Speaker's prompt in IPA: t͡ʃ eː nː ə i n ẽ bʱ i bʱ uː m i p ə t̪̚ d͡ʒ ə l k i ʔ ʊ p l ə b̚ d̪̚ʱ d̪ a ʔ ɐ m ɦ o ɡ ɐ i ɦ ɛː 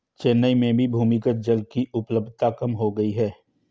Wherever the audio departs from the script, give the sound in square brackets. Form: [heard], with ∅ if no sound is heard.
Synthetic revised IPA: t͡ʃ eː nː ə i [m] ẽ bʱ i bʱ uː m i [k] ə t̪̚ d͡ʒ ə l k i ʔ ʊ p l ə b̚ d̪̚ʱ [t̪] a [k] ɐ m ɦ o ɡ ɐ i ɦ ɛː